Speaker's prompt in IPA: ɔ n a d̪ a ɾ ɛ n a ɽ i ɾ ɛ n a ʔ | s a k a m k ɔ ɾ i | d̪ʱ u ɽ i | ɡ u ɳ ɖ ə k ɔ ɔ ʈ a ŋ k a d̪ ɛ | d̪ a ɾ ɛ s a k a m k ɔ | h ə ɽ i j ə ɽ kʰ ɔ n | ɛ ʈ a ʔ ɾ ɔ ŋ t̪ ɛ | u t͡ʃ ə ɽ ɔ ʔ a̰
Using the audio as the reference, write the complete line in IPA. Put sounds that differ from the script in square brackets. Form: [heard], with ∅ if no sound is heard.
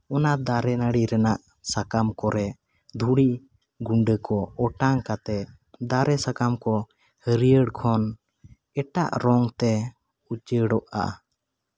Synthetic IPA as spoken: ɔ n a d̪ a ɾ ɛ n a ɽ i ɾ ɛ n a ʔ | s a k a m k ɔ ɾ [ɛ] | d̪ʱ u ɽ i | ɡ u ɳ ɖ ə k ɔ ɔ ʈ a ŋ k a [t̪] ɛ | d̪ a ɾ ɛ s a k a m k ɔ | h ə [ɾ] i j ə ɽ kʰ ɔ n | ɛ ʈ a ʔ ɾ ɔ ŋ t̪ ɛ | u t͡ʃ ə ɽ ɔ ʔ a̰